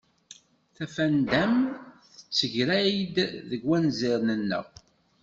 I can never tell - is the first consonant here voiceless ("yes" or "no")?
yes